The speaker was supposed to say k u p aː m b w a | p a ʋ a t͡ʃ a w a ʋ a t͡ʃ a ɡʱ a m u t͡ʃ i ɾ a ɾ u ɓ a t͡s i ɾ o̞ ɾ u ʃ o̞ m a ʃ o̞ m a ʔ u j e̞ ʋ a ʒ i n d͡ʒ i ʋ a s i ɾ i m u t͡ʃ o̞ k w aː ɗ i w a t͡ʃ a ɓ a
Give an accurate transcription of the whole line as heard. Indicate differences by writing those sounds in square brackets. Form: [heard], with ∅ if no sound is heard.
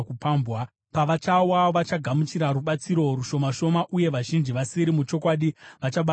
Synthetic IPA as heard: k u p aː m b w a | p a ʋ a t͡ʃ a w a ʋ a t͡ʃ a ɡʱ a m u t͡ʃ i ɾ a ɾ u ɓ a t͡s i ɾ o̞ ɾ u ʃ o̞ m a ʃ o̞ m a ʔ u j e̞ ʋ a ʒ i n d͡ʒ i ʋ a s i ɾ i m u t͡ʃ o̞ k w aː ɗ i [ʋ] a t͡ʃ a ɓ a